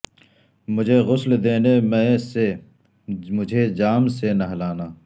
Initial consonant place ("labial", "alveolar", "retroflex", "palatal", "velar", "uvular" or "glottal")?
labial